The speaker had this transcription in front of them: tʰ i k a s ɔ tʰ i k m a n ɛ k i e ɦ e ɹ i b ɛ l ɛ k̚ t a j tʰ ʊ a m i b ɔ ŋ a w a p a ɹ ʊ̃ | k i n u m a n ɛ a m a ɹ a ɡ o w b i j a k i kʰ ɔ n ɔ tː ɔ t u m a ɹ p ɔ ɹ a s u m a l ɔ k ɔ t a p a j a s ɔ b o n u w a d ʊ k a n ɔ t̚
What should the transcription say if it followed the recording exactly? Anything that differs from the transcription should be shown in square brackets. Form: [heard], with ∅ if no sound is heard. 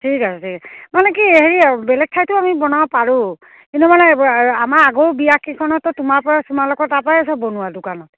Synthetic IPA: tʰ i k a s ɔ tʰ i k m a n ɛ k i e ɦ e ɹ i b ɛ l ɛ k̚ [tʰ] a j [t] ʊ a m i b ɔ [n] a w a p a ɹ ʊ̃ | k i n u m a n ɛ a m a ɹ a ɡ o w b i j a k i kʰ ɔ n ɔ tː ɔ t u m a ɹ p ɔ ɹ a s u m a l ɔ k ɔ t a p a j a s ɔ b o n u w a d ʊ k a n ɔ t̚